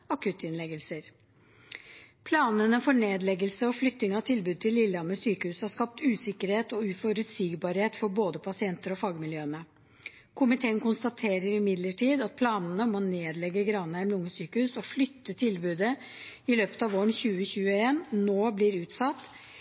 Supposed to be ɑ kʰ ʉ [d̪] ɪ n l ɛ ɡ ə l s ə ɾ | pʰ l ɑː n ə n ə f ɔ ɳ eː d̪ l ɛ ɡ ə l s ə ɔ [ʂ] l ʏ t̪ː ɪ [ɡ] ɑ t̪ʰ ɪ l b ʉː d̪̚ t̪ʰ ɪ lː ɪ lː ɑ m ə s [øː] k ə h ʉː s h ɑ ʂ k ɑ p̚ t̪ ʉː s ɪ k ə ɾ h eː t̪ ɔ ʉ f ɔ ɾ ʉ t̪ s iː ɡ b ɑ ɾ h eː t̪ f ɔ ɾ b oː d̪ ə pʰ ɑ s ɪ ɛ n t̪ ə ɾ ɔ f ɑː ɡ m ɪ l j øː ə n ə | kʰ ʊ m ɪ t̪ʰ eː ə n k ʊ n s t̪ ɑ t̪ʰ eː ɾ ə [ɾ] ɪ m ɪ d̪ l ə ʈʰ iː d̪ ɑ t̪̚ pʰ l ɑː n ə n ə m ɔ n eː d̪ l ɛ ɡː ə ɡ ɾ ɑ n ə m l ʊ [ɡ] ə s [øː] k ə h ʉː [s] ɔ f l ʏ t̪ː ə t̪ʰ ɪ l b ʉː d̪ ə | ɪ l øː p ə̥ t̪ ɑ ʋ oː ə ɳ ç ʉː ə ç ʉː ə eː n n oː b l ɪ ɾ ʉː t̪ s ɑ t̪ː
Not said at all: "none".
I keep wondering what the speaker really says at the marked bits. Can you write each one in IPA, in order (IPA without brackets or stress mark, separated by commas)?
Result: t̪, f, ŋ, yː, ɾ, ŋ, yː, s